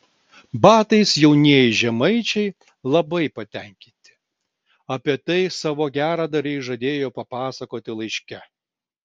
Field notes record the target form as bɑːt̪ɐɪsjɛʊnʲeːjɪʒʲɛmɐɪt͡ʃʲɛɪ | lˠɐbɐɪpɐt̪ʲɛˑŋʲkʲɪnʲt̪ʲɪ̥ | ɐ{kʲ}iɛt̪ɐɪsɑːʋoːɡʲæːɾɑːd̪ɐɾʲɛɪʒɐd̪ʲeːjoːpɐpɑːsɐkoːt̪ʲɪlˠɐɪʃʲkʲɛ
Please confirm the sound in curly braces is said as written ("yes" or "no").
no